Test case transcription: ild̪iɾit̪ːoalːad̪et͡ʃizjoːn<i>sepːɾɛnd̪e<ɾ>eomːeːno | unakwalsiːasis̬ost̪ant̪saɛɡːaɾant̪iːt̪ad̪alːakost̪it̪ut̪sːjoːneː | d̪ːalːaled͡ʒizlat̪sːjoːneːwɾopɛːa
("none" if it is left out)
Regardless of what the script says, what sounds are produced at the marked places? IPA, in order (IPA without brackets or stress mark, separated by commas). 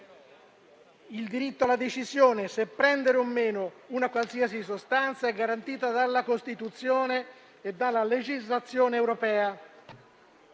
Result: e, ɾ